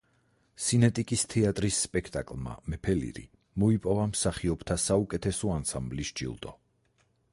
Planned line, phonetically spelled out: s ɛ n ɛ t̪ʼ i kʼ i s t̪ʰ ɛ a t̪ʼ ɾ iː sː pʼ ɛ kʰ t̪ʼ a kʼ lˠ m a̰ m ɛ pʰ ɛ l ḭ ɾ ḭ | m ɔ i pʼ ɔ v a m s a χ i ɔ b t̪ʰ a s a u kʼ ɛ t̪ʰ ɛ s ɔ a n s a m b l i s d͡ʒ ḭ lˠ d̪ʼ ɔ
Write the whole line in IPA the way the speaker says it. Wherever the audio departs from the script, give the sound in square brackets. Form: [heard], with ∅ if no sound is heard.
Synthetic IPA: s [i] n ɛ t̪ʼ i kʼ i s t̪ʰ ɛ a t̪ʼ ɾ [i] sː pʼ ɛ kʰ t̪ʼ a kʼ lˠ m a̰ m ɛ pʰ ɛ l ḭ ɾ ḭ | m ɔ i pʼ ɔ v a m s a χ i ɔ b t̪ʰ a s a u kʼ ɛ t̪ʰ ɛ s ɔ a n s a m b l i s d͡ʒ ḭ lˠ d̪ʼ ɔ